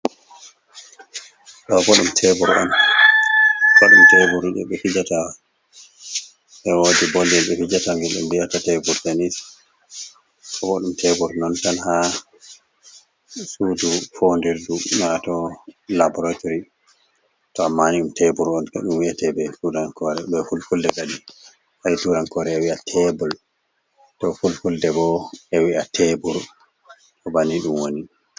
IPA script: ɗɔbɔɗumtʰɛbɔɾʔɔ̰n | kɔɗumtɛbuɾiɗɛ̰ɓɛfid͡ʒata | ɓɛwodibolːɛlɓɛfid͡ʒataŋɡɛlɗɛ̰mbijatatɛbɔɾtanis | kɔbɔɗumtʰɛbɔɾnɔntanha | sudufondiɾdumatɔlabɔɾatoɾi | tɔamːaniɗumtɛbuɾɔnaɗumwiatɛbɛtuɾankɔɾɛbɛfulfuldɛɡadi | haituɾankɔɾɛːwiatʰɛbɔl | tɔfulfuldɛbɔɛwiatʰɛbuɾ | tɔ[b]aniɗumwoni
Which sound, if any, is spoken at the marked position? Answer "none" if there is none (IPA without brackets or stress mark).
b